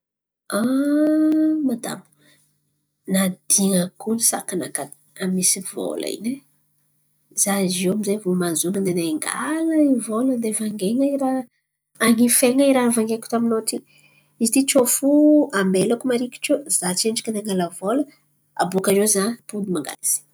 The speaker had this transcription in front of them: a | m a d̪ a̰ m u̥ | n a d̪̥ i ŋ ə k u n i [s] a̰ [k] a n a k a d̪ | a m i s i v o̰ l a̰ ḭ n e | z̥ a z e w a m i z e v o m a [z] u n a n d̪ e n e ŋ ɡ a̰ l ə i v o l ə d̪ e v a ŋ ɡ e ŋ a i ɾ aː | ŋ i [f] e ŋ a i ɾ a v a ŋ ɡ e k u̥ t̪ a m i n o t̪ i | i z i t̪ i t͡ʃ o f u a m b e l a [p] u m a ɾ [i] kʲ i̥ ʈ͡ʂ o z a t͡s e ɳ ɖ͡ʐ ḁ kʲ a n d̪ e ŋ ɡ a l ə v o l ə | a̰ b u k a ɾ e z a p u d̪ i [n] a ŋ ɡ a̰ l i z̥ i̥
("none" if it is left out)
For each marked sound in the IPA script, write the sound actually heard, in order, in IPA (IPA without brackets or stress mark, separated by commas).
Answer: s, k, z, f, k, i, m